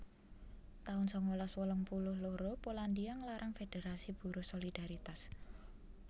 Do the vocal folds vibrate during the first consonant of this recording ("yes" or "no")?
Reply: no